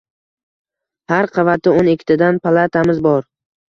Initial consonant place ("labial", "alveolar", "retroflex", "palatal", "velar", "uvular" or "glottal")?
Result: glottal